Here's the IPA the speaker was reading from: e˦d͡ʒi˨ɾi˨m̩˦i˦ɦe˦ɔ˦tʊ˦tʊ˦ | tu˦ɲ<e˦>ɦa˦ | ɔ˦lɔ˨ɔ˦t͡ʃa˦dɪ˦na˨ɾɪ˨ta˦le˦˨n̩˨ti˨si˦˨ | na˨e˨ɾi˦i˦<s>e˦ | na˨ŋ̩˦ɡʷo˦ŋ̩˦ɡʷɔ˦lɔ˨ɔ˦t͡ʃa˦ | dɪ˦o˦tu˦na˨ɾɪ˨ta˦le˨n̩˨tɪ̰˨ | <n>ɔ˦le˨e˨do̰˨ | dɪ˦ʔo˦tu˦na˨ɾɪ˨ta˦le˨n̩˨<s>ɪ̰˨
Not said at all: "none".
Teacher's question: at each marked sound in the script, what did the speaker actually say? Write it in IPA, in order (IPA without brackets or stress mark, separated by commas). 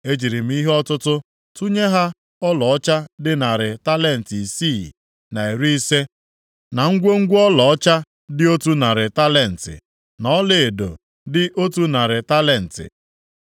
e˦, s, n, t